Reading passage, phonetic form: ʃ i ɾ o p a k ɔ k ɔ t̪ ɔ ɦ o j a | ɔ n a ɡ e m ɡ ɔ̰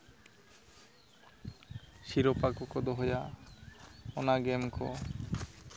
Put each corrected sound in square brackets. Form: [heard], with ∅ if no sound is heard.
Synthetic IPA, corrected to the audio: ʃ i ɾ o p a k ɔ k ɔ [d̪] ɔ ɦ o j a | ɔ n a ɡ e m [k] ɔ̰